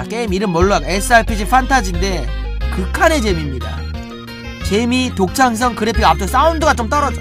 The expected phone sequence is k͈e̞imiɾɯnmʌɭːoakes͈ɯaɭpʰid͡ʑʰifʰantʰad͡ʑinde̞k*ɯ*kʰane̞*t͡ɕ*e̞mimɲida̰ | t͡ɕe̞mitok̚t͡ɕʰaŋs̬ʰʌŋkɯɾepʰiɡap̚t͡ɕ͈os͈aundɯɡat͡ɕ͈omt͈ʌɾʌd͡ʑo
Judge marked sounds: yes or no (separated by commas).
yes, yes